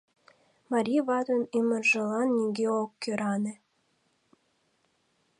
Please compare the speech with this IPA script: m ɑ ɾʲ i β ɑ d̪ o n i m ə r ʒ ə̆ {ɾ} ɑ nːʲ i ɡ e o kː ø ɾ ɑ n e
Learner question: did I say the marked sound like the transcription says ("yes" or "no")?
no